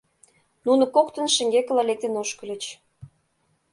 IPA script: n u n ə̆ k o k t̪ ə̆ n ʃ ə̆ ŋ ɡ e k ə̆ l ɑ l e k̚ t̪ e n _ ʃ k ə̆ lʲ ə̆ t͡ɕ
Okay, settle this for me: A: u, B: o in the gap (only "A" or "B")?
B